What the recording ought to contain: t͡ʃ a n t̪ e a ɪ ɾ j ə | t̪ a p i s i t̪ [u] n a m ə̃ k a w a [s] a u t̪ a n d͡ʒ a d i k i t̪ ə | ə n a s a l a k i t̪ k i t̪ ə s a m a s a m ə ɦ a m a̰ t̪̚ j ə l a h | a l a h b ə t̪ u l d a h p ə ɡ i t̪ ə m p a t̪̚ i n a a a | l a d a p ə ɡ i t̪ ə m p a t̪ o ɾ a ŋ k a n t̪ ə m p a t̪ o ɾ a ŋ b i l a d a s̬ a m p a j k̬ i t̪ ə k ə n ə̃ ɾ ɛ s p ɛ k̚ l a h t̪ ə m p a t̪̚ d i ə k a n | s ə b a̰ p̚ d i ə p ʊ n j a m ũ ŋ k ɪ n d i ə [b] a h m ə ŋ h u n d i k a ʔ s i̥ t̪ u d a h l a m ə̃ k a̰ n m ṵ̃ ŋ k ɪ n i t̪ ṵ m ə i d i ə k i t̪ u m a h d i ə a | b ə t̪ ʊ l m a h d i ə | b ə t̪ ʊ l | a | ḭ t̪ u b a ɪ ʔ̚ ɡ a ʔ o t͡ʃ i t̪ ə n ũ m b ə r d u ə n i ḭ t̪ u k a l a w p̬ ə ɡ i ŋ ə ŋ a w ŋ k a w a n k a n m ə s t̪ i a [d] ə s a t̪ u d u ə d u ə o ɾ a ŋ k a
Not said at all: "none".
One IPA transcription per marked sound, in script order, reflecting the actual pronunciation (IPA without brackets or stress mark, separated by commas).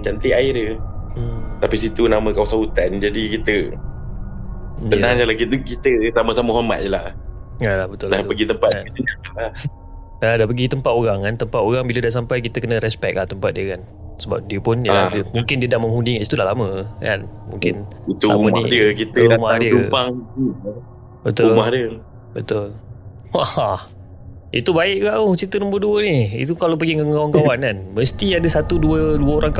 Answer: u, s, d, d